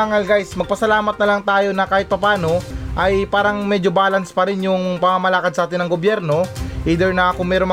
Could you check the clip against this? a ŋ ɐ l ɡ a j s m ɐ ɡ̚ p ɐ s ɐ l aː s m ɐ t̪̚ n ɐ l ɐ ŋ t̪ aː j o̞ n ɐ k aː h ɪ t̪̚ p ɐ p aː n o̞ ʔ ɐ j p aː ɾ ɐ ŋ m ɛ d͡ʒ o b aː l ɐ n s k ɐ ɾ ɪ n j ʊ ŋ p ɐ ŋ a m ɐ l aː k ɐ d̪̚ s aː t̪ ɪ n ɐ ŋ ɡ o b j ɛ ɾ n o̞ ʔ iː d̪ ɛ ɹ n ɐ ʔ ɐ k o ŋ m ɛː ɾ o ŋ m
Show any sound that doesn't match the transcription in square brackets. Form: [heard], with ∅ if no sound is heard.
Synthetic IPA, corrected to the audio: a ŋ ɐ l ɡ a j s m ɐ ɡ̚ p ɐ s ɐ l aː [∅] m ɐ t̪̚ n ɐ l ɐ ŋ t̪ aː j o̞ n ɐ k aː h ɪ t̪̚ p ɐ p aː n o̞ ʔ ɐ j p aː ɾ ɐ ŋ m ɛ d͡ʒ o b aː l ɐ n s [p] ɐ ɾ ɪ n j ʊ ŋ p ɐ ŋ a m ɐ l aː k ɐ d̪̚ s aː t̪ ɪ n ɐ ŋ ɡ o b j ɛ ɾ n o̞ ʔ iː d̪ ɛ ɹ n ɐ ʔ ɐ k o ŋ m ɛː ɾ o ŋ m